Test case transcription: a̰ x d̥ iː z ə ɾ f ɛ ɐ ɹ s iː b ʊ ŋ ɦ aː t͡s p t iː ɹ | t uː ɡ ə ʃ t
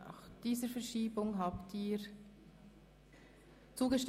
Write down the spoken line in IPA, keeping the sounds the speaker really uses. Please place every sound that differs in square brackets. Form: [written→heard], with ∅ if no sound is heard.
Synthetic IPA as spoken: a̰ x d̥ iː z ə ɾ f ɛ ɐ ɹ [s→ʃ] iː b ʊ ŋ ɦ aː [t͡s→∅] p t iː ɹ | [t→t͡s] uː ɡ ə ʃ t